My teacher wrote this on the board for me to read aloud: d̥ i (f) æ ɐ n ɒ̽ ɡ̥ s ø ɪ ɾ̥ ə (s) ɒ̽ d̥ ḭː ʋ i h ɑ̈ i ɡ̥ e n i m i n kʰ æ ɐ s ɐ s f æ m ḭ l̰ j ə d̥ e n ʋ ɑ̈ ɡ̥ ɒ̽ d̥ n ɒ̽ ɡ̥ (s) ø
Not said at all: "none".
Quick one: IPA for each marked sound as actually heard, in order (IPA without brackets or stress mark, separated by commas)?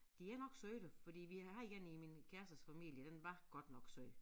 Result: none, f, s